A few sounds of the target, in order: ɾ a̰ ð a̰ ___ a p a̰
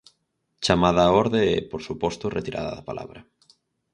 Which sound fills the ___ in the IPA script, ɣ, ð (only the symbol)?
ð